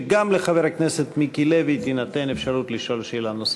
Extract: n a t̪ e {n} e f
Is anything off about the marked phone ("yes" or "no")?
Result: no